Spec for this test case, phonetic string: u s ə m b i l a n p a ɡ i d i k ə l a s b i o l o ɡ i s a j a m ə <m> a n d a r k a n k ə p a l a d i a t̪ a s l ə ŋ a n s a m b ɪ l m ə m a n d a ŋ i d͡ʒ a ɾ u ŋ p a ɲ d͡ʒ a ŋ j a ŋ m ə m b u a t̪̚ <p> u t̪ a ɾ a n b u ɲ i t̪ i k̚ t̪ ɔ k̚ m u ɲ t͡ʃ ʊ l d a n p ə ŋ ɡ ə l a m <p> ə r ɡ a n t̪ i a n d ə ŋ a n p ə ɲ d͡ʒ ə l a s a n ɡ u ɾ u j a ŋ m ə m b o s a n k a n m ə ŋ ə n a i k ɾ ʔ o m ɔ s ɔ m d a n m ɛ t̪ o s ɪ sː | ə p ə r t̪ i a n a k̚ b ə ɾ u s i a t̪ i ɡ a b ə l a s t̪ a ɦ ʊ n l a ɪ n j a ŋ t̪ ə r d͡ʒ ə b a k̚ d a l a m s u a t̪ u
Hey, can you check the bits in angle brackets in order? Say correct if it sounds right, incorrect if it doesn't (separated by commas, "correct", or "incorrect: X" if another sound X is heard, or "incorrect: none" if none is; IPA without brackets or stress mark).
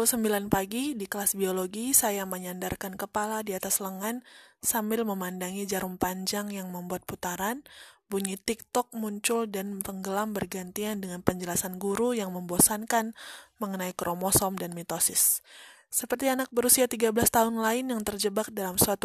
incorrect: ɲ, correct, incorrect: b